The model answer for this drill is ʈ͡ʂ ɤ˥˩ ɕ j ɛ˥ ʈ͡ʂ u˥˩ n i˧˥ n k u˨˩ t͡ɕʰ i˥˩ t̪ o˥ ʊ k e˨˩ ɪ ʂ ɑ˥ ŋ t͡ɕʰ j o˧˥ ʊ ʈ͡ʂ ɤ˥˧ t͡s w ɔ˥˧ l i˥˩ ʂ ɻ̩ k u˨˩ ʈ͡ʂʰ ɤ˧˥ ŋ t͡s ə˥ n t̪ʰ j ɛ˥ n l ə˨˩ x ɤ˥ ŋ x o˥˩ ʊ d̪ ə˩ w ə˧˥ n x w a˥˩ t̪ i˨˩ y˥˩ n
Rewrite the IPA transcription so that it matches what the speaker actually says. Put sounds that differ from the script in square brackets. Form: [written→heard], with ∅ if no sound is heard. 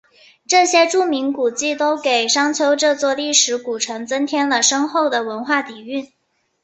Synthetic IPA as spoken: ʈ͡ʂ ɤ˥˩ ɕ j ɛ˥ ʈ͡ʂ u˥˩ [n→m] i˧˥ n k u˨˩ [t͡ɕʰ→t͡ɕ] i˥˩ t̪ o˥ ʊ k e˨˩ ɪ ʂ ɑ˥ ŋ t͡ɕʰ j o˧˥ ʊ ʈ͡ʂ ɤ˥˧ t͡s w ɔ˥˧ l i˥˩ ʂ ɻ̩ k u˨˩ ʈ͡ʂʰ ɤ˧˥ ŋ t͡s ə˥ n t̪ʰ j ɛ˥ n l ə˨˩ [x→ʂ] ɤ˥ ŋ x o˥˩ ʊ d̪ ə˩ w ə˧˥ n x w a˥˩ t̪ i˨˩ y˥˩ n